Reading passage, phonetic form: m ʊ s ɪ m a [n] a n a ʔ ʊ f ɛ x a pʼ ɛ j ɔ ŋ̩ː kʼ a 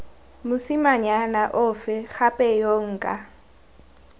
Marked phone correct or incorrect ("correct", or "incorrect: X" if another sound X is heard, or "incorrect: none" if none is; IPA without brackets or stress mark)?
incorrect: ɲ